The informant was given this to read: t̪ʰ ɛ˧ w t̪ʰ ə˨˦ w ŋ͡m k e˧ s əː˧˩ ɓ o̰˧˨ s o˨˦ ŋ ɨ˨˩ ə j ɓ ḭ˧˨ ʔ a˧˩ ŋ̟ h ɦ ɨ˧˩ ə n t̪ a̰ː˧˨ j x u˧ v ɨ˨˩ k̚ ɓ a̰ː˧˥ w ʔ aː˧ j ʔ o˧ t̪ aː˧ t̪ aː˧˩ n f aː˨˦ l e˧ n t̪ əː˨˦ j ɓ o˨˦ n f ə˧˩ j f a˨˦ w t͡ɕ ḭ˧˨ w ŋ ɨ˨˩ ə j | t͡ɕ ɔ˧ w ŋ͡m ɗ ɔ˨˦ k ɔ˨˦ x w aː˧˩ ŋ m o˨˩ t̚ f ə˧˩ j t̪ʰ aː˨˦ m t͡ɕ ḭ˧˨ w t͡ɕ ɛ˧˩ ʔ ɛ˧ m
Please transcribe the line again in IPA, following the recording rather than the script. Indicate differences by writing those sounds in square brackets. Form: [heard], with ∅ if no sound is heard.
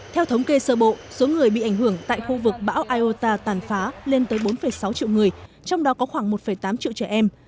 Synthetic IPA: t̪ʰ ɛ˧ w t̪ʰ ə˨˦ w ŋ͡m k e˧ s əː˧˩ ɓ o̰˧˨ s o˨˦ ŋ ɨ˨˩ ə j ɓ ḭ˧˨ ʔ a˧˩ ŋ̟ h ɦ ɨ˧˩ ə [ŋ] t̪ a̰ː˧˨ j x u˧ v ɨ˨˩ k̚ ɓ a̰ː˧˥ w ʔ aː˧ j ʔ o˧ t̪ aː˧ t̪ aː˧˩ n f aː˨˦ l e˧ n t̪ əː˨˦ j ɓ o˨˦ n f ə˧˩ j [s] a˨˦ w t͡ɕ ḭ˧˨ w ŋ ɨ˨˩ ə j | t͡ɕ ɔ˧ w ŋ͡m ɗ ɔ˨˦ k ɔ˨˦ x w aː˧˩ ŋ m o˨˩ t̚ f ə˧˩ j [t̪] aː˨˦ m t͡ɕ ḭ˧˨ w t͡ɕ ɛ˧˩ ʔ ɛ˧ m